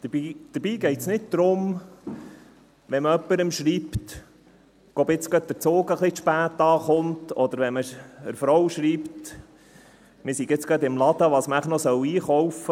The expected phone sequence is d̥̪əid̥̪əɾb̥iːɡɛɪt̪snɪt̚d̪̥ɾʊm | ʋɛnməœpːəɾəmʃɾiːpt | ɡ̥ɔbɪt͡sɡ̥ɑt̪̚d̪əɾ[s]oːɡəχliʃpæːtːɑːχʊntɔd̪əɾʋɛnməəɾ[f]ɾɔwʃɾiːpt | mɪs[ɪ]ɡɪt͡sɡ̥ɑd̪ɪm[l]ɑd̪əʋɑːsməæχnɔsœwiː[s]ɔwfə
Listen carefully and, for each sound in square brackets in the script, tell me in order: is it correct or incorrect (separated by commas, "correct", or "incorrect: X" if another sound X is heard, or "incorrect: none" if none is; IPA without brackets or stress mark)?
incorrect: t͡s, correct, incorrect: i, correct, incorrect: χ